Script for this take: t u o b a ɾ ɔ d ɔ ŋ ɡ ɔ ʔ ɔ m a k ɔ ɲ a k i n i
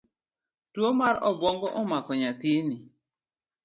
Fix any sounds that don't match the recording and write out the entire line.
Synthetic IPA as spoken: t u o m a ɾ ɔ b ɔ ŋ ɡ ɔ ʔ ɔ m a k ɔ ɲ a t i n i